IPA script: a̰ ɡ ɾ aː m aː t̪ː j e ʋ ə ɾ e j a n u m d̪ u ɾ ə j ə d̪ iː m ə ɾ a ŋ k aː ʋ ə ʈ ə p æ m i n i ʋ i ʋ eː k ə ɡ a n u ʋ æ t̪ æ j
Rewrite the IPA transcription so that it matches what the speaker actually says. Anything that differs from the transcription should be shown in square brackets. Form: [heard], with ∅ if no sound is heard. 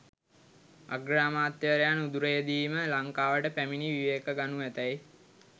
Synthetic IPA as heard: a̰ ɡ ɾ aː m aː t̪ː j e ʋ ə ɾ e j a n u [∅] d̪ u ɾ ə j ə d̪ iː m ə [l] a ŋ k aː ʋ ə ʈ ə p æ m i n i ʋ i ʋ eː k ə ɡ a n u ʋ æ t̪ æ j